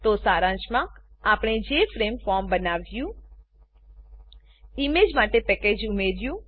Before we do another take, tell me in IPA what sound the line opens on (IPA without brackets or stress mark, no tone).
t̪